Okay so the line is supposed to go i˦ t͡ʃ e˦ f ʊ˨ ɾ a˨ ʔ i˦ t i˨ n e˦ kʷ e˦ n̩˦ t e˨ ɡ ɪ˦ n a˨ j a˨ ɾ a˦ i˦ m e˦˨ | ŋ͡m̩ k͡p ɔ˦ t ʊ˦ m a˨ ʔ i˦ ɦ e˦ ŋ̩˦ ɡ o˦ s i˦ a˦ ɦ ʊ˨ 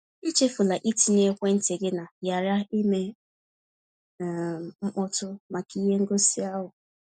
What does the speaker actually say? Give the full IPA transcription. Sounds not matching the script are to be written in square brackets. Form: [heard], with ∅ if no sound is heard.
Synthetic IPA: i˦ t͡ʃ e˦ f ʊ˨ [l] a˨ ʔ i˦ t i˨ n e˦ kʷ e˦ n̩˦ t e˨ ɡ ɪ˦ n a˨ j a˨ ɾ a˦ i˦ m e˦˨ | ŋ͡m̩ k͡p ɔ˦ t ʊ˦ m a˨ [k] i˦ ɦ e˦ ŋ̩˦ ɡ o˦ s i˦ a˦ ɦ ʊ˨

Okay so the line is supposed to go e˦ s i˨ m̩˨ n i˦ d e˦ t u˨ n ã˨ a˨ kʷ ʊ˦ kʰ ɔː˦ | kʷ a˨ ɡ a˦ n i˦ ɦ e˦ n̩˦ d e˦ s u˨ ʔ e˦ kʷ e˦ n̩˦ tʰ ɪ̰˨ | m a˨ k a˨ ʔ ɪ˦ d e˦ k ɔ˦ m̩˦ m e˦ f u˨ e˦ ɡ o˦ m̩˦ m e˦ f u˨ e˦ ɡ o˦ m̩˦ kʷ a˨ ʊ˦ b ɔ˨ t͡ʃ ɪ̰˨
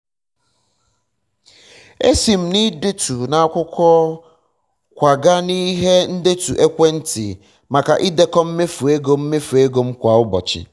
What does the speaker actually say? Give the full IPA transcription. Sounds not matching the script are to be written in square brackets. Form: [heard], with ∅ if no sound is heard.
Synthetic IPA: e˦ s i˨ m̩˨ n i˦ d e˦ t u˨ n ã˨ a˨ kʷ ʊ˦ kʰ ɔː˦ | kʷ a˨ ɡ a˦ n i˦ ɦ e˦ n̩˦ d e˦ [t] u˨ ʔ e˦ kʷ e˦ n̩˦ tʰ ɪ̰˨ | m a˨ k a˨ ʔ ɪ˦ d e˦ k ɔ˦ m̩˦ m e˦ f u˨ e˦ ɡ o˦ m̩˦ m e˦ f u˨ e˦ ɡ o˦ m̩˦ kʷ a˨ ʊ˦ b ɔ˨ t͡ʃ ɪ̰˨

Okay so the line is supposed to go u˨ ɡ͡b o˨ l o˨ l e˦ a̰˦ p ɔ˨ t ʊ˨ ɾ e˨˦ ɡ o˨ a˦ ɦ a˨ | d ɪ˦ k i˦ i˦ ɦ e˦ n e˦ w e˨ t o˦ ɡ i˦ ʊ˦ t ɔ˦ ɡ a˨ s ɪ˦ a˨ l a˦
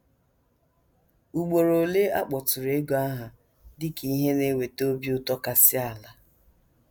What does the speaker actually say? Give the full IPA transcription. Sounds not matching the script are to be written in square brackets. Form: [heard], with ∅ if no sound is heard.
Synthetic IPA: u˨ ɡ͡b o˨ [ɾ] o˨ l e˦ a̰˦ [k͡p] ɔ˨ t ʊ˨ ɾ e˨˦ ɡ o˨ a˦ ɦ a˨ | d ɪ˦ k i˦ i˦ ɦ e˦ n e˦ w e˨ t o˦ [b] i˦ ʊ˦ t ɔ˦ [k] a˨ s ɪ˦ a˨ l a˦

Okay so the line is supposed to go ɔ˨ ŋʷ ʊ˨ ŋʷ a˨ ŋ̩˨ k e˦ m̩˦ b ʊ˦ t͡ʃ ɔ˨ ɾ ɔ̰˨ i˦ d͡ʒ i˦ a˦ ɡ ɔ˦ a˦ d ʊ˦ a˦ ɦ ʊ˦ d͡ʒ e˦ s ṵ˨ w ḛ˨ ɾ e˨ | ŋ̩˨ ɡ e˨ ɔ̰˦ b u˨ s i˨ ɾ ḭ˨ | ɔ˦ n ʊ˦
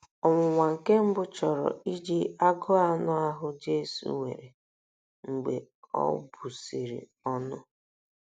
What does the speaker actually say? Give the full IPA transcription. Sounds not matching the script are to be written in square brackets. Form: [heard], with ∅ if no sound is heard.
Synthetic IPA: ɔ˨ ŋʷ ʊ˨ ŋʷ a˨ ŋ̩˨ k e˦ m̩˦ b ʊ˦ t͡ʃ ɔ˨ ɾ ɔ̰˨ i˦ d͡ʒ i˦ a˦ ɡ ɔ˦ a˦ [n] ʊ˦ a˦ ɦ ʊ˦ d͡ʒ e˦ s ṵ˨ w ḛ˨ ɾ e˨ | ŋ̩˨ [ɡ͡b] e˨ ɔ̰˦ b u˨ s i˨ ɾ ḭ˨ | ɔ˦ n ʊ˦

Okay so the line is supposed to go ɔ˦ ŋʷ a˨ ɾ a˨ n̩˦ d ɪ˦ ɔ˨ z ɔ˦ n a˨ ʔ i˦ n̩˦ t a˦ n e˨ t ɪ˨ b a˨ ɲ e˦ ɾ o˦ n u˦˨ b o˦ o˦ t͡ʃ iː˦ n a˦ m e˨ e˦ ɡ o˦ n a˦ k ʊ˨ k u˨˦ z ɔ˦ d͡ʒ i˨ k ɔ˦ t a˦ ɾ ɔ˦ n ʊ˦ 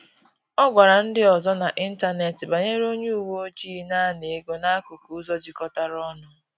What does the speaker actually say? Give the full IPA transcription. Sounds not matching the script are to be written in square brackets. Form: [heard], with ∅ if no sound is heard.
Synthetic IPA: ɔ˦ [ɡʷ] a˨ ɾ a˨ n̩˦ d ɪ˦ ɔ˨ z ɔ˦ n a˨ ʔ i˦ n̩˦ t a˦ n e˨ t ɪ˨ b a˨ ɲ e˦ ɾ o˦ [ɲ] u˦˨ [w] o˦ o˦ t͡ʃ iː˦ n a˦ [n] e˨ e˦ ɡ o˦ n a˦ k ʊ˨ k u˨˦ z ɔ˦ d͡ʒ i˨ k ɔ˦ t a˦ ɾ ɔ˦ n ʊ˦

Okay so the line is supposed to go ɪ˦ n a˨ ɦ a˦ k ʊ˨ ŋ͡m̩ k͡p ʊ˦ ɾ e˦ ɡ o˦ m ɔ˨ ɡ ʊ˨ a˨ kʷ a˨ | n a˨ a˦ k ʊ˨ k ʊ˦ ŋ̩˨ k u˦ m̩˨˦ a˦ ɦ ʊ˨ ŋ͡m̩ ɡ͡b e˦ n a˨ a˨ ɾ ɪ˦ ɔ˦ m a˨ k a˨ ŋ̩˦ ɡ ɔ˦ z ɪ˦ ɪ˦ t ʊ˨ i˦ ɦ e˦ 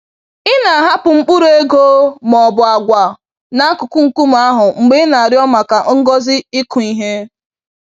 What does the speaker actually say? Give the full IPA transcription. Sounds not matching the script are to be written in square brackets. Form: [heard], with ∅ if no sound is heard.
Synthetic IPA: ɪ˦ n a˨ ɦ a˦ [p] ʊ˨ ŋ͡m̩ k͡p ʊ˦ ɾ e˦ ɡ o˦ m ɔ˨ [b] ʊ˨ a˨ [ɡʷ] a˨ | n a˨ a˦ k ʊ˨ k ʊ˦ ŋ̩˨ k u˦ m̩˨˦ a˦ ɦ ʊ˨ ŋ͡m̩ ɡ͡b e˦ n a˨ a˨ ɾ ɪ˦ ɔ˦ m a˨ k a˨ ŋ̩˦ ɡ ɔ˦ z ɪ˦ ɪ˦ [k] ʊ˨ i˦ ɦ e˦

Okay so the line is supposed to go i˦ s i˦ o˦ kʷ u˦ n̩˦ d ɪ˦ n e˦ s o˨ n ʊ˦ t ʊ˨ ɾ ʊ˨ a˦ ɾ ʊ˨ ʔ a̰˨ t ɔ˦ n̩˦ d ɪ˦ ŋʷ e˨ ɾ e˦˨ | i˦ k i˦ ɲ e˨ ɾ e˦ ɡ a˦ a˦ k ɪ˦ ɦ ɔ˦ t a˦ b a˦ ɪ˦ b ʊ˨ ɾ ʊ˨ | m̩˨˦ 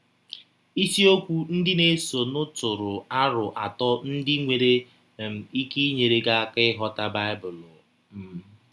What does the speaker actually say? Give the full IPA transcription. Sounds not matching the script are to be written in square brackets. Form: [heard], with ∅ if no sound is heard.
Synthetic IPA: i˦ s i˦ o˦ kʷ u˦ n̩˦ d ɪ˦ n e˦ s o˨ n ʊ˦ t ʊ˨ ɾ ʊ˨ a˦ ɾ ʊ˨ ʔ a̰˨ t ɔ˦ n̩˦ d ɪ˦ ŋʷ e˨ ɾ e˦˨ | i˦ k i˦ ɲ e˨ ɾ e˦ ɡ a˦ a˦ k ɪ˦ ɦ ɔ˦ t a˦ b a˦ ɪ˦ b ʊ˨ [l] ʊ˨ | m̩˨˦

